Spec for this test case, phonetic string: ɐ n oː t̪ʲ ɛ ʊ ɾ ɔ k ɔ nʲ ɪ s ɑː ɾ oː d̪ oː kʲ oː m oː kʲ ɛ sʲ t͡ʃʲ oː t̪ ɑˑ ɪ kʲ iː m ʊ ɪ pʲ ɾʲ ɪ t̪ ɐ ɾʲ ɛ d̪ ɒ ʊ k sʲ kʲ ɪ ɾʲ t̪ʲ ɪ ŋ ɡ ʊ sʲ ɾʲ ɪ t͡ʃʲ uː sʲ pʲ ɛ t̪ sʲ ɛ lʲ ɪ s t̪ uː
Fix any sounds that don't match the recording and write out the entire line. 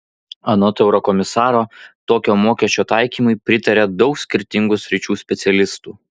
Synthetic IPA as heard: ɐ n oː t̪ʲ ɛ ʊ ɾ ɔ k ɔ mʲ ɪ s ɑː ɾ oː t̪ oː kʲ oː m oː kʲ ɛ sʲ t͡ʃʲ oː t̪ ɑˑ ɪ kʲ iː m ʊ ɪ pʲ ɾʲ ɪ t̪ ɐ ɾʲ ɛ d̪ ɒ ʊ k sʲ kʲ ɪ ɾʲ t̪ʲ ɪ ŋ ɡ ʊ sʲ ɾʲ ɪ t͡ʃʲ uː sʲ pʲ ɛ t̪ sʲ ɛ lʲ ɪ s t̪ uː